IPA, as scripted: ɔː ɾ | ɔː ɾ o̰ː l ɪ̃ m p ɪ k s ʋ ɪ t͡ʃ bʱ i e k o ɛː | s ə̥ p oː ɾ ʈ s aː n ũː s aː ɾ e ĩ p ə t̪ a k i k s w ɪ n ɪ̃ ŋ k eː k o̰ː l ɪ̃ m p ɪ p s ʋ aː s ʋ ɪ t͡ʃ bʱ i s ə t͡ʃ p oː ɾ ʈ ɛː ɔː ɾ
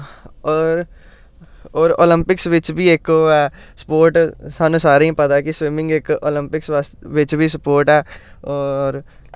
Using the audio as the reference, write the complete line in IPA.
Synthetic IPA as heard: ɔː ɾ | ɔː ɾ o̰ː l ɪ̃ m p ɪ k s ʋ ɪ t͡ʃ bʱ i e k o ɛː | s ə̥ p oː ɾ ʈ s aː n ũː s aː ɾ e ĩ p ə t̪ a k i s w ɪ m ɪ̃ ŋ ɡ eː k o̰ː l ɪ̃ m p ɪ k s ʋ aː s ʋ ɪ t͡ʃ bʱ i s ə p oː ɾ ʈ ɛː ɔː ɾ